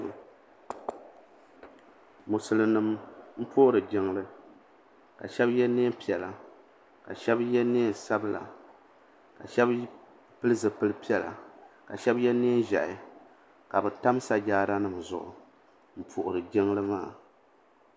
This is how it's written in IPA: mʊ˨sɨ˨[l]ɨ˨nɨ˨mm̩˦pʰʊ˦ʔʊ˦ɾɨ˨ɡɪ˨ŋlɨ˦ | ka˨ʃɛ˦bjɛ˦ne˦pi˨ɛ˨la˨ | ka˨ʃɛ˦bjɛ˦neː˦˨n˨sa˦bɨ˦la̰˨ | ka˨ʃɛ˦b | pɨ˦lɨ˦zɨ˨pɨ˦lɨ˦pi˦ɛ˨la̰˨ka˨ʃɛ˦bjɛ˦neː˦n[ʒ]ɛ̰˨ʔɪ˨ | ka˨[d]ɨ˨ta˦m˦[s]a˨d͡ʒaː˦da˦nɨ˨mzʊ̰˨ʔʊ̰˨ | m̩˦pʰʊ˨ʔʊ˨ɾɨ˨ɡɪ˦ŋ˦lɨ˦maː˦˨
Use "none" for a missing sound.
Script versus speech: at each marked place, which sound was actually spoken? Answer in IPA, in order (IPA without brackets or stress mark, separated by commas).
l, ʒ, b, s